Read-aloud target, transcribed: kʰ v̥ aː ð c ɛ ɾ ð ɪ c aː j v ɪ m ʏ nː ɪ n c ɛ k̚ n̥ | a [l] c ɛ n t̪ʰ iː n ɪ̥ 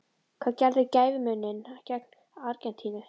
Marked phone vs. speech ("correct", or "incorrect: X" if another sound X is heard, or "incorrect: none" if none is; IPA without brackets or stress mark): incorrect: ɾ